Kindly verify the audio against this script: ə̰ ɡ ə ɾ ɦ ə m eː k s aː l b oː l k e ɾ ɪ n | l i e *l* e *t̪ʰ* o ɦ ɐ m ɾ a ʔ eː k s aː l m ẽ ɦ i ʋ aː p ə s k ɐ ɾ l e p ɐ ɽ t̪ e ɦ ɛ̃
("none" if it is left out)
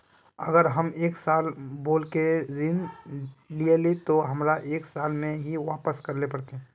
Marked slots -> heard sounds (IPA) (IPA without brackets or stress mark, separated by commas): l, t̪